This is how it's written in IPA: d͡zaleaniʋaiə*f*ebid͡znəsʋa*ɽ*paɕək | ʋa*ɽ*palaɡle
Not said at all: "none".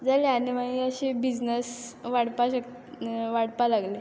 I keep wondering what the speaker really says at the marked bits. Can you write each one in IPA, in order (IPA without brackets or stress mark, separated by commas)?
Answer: ɕ, ɽ, ɽ